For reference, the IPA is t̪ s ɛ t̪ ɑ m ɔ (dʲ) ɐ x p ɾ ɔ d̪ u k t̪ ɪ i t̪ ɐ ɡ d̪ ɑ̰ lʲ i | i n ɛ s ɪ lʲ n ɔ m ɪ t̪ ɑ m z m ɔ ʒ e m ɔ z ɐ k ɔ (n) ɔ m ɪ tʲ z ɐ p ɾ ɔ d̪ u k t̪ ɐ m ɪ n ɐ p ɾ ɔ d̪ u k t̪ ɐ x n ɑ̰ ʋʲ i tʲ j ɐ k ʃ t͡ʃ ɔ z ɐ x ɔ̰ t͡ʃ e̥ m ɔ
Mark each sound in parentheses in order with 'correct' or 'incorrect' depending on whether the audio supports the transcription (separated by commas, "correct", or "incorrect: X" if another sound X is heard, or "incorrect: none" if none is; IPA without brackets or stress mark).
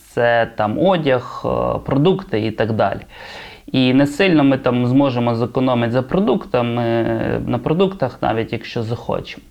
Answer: correct, correct